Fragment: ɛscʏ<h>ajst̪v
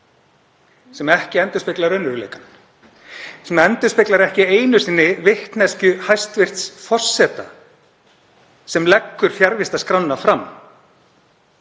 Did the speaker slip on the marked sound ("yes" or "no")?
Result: no